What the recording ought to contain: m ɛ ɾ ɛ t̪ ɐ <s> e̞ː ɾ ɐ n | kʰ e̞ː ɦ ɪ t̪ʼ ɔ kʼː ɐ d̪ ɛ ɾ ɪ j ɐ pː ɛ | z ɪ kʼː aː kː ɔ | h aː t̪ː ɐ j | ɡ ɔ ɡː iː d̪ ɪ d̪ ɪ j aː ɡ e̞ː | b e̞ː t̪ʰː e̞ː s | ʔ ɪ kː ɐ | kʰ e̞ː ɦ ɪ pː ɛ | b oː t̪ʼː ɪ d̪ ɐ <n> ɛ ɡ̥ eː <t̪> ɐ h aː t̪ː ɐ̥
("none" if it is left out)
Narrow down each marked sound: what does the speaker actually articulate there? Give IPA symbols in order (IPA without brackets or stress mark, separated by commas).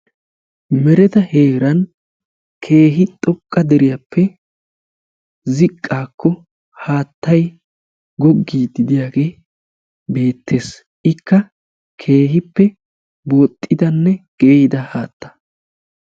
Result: h, nː, d̪